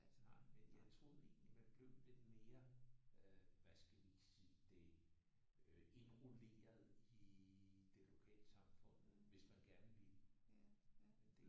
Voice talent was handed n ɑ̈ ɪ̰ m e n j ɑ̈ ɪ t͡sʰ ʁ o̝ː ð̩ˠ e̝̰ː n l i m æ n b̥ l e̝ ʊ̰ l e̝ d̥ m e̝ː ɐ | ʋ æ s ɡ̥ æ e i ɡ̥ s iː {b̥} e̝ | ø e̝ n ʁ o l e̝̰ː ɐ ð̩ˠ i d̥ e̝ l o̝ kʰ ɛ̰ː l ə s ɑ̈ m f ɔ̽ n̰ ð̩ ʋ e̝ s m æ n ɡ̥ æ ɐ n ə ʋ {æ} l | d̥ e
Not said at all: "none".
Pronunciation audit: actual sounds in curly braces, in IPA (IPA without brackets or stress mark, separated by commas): d̥, i